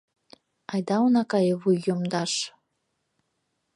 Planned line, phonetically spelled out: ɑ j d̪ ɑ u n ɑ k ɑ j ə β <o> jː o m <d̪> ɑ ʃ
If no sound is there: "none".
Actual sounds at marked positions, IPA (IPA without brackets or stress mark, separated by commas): u, d̪